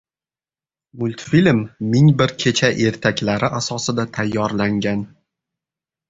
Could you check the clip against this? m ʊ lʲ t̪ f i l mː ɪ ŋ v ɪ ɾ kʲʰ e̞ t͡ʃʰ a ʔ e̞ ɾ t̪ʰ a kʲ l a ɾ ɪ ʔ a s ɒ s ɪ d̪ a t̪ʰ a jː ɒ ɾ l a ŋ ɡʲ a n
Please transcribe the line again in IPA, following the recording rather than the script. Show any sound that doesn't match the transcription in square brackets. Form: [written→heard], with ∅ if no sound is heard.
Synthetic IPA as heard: m ʊ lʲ t̪ f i l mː ɪ ŋ [v→b] ɪ ɾ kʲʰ e̞ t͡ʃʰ a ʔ e̞ ɾ t̪ʰ a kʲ l a ɾ ɪ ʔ a s ɒ s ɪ d̪ a t̪ʰ a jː ɒ ɾ l a ŋ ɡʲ a n